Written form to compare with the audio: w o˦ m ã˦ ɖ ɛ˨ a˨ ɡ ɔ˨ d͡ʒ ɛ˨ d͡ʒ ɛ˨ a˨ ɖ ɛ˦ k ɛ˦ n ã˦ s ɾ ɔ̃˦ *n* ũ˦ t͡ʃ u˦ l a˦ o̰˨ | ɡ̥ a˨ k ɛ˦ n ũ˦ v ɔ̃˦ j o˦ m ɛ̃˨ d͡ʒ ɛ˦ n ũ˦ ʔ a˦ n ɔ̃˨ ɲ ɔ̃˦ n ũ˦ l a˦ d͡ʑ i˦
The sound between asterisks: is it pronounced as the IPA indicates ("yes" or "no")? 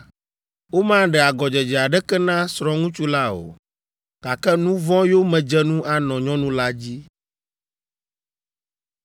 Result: no